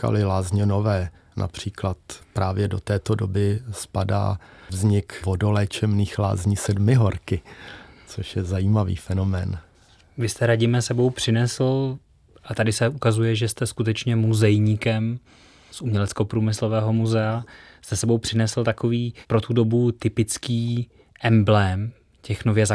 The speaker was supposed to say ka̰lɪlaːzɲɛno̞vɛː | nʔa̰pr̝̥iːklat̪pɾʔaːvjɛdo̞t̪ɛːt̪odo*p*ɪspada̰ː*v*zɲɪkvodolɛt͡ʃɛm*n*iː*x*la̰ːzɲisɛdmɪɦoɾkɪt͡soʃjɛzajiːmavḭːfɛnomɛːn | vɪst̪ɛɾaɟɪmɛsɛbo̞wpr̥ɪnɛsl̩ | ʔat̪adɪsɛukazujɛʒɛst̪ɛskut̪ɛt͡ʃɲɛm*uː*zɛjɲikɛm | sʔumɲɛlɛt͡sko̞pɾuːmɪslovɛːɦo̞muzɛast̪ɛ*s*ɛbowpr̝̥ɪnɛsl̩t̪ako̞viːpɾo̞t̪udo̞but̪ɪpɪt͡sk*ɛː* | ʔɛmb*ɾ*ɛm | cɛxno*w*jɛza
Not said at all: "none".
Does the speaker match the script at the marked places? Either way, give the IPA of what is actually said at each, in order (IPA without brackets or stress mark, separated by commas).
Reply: b, v, n, x, u, s, iː, l, v